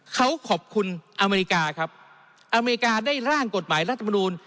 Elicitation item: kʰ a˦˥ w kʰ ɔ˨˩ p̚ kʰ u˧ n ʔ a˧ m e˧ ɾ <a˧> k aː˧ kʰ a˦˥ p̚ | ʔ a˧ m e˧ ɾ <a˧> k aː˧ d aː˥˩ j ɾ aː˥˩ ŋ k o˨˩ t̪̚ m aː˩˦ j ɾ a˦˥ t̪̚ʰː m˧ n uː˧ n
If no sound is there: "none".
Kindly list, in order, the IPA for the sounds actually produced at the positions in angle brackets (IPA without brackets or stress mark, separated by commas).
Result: i˧, i˧